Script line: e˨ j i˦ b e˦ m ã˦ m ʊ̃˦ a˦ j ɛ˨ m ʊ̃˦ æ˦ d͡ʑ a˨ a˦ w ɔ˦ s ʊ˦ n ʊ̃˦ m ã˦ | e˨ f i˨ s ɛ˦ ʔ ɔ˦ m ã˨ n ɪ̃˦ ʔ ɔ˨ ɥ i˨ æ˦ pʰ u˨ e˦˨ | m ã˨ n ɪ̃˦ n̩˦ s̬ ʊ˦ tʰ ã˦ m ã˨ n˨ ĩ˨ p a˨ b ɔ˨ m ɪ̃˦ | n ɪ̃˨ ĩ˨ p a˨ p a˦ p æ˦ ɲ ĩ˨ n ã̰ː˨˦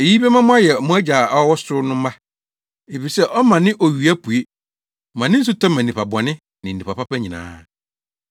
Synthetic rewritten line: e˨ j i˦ b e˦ m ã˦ m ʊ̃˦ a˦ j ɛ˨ m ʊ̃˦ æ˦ d͡ʑ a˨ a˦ w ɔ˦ s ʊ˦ n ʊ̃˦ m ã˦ | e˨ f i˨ s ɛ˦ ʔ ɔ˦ m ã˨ n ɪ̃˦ ʔ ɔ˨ ɥ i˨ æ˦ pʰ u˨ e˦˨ | m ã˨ n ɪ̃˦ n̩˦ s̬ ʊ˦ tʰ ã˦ m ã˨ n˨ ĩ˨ p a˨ b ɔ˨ n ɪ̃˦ | n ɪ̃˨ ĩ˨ p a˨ p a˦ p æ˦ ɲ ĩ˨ n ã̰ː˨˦